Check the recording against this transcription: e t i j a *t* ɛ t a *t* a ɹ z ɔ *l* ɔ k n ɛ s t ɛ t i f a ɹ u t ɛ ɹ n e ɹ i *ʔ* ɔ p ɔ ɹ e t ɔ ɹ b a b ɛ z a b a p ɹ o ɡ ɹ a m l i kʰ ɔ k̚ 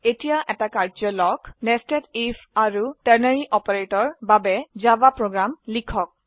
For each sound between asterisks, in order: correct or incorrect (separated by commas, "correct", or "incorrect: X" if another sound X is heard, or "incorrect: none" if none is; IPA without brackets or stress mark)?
incorrect: ʔ, incorrect: k, correct, correct